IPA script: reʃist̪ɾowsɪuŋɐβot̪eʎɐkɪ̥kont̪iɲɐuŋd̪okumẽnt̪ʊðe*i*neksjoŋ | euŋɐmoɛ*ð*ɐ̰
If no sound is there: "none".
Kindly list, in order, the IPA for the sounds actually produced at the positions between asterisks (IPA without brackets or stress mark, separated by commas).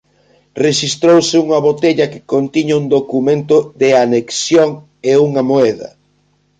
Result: a, ð